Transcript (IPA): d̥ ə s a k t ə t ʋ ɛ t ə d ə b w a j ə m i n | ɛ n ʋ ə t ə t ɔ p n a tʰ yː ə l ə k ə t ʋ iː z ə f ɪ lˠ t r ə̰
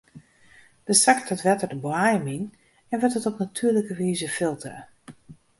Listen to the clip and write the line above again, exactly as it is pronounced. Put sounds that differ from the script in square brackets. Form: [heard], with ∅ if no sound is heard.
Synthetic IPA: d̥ ə s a k t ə t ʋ ɛ t ə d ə b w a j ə m i n | ɛ n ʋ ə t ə t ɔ p n a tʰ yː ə l ə k ə [∅] ʋ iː z ə f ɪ lˠ t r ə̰